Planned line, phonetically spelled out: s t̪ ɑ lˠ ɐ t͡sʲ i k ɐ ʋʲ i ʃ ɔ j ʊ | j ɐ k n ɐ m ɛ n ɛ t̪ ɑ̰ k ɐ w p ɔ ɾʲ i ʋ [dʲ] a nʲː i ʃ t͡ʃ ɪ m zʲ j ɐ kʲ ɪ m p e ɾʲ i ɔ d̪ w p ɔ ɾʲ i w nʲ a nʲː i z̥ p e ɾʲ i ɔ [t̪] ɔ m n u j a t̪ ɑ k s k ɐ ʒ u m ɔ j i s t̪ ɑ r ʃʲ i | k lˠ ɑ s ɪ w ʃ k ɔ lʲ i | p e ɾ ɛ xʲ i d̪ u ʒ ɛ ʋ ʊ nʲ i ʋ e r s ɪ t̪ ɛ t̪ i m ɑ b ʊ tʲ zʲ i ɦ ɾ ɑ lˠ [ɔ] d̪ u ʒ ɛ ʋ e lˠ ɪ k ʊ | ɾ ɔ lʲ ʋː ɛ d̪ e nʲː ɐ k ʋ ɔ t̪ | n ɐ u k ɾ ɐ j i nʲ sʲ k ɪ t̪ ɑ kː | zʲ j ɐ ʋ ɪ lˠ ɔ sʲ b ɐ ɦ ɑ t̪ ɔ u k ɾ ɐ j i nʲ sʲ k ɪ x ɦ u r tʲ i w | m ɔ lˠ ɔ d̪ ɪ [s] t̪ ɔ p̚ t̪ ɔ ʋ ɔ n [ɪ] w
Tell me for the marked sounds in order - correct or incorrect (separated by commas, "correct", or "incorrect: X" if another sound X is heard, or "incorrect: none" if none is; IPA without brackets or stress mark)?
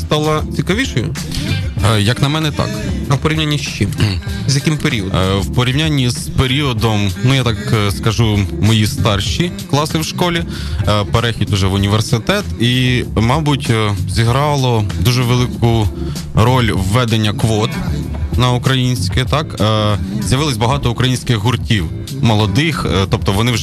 incorrect: nʲ, incorrect: d̪, correct, incorrect: x, correct